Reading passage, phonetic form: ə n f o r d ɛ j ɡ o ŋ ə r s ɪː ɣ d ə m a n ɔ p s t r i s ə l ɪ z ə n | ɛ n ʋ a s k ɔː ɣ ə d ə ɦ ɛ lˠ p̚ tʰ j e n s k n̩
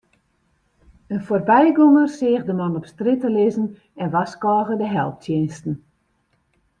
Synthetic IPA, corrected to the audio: ə n f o r b ɛ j ɡ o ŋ ə r s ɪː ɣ d ə m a n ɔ p s t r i t ə l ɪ z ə n | ɛ n ʋ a s k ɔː ɣ ə d ə ɦ ɛ lˠ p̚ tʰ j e n s t n̩